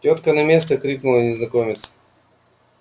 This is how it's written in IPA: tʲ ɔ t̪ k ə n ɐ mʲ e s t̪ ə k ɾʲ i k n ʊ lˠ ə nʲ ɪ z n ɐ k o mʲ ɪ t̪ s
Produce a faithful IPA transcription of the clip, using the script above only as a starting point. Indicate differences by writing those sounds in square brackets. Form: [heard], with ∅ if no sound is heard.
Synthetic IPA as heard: tʲ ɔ t̪ k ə n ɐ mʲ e s t̪ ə k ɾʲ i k n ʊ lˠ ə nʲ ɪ z n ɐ k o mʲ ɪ t̪ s

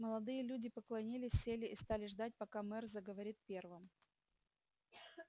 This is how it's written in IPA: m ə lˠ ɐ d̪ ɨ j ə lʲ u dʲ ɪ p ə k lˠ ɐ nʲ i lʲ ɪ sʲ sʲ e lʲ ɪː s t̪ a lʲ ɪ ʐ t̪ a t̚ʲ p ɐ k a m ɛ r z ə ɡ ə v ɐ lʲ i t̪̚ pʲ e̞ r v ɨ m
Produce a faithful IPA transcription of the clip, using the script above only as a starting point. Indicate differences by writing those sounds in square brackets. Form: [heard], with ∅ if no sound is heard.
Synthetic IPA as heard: m ə lˠ ɐ d̪ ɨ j ə lʲ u dʲ ɪ p ə k lˠ ɐ nʲ i lʲ ɪ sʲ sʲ e lʲ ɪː s t̪ a lʲ ɪ ʐ [d̪] a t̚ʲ p ɐ k a m ɛ r z ə ɡ ə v ɐ [ɾʲ] i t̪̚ pʲ e̞ r v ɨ m

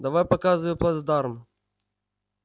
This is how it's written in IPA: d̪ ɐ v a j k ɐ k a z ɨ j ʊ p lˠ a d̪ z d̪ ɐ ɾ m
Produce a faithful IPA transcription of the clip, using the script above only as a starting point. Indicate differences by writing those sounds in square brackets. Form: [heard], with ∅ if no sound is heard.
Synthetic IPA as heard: d̪ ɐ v a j [p] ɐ k a z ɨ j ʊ p lˠ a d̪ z d̪ [a] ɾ m

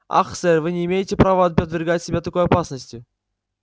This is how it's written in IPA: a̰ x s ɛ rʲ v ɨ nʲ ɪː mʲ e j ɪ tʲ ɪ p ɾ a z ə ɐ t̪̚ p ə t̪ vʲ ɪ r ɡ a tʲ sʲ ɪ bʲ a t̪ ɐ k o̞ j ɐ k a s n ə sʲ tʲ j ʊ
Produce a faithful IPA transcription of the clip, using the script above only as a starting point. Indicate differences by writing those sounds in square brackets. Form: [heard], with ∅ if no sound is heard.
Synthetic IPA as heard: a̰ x s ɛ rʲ v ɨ nʲ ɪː mʲ e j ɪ tʲ ɪ p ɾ a [v] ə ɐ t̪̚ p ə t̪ vʲ ɪ r ɡ a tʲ sʲ ɪ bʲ a t̪ ɐ k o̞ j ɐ [p] a s n ə sʲ tʲ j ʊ

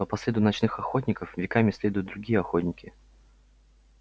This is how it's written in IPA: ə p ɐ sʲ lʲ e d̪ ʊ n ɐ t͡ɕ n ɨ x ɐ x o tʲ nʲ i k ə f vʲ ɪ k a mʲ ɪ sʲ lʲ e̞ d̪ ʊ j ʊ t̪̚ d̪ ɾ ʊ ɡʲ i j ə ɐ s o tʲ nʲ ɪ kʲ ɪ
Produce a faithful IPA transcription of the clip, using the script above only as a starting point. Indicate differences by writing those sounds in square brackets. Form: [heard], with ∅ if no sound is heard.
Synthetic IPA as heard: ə p ɐ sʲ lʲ e d̪ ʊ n ɐ t͡ɕ n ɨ x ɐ x o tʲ nʲ [ɪ] k ə f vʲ ɪ k a mʲ ɪ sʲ lʲ e̞ d̪ ʊ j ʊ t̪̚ d̪ ɾ ʊ ɡʲ i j ə ɐ [x] o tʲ nʲ ɪ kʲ ɪ

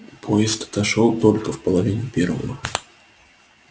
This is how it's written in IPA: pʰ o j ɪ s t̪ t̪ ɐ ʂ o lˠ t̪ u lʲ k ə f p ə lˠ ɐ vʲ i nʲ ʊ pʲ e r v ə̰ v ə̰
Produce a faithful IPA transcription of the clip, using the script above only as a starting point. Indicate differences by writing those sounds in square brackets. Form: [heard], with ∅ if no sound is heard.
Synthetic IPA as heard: pʰ o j ɪ s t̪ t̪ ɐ ʂ o lˠ t̪ [o] lʲ k ə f p ə lˠ ɐ vʲ i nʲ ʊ pʲ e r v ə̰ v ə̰

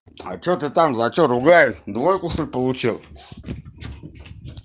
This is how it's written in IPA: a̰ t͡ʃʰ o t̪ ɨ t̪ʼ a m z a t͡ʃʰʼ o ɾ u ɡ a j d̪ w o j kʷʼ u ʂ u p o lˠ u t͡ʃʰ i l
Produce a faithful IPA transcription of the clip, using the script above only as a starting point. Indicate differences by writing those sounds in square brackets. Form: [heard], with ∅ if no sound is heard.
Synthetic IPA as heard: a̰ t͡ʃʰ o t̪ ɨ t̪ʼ a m z a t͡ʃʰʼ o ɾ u ɡ a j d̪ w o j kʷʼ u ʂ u p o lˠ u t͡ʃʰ i l

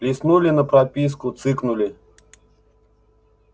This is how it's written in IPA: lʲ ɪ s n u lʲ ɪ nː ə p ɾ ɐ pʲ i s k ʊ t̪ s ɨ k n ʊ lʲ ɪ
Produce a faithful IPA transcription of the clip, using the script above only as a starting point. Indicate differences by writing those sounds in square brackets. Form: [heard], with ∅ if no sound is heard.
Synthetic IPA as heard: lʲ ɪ s n u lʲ ɪ [n] ə p ɾ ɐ pʲ i s k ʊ t̪ s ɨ k n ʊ lʲ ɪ

